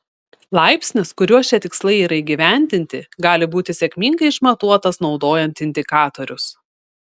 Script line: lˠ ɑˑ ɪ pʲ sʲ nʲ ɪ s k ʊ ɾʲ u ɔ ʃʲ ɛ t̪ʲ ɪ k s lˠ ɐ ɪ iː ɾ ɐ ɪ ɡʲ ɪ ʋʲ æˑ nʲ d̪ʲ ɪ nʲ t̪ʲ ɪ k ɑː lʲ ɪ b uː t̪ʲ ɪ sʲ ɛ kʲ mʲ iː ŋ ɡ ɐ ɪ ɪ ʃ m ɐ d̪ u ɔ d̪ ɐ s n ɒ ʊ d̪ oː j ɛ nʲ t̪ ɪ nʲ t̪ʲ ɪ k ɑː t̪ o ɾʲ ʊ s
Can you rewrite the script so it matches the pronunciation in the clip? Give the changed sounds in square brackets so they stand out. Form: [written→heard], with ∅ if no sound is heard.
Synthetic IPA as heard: lˠ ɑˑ ɪ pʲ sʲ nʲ ɪ s k ʊ ɾʲ u ɔ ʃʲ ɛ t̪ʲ ɪ k s lˠ ɐ ɪ iː ɾ ɐ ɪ ɡʲ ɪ ʋʲ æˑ nʲ d̪ʲ ɪ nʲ t̪ʲ ɪ [k→ɡ] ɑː lʲ ɪ b uː t̪ʲ ɪ sʲ ɛ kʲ mʲ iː ŋ ɡ ɐ ɪ ɪ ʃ m ɐ [d̪→t̪] u ɔ [d̪→t̪] ɐ s n ɒ ʊ d̪ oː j ɛ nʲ t̪ ɪ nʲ [t̪ʲ→d̪ʲ] ɪ k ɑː t̪ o ɾʲ ʊ s